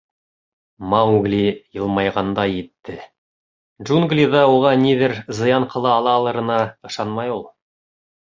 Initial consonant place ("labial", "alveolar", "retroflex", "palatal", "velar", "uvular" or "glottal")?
labial